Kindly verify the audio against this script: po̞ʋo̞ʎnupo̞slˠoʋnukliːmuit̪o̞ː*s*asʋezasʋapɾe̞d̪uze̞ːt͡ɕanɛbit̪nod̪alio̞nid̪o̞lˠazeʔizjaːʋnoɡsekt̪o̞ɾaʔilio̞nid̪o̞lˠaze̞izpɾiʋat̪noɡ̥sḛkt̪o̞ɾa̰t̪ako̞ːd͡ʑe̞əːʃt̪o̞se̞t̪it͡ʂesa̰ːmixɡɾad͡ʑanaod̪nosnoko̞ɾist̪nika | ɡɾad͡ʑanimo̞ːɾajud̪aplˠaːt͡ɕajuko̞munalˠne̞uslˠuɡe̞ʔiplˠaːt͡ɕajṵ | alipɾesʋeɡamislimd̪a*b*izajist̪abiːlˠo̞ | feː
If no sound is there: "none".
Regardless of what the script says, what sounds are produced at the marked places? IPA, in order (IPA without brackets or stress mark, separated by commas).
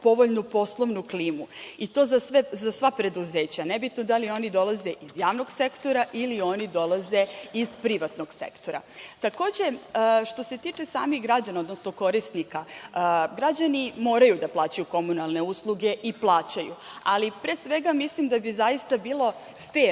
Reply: z, b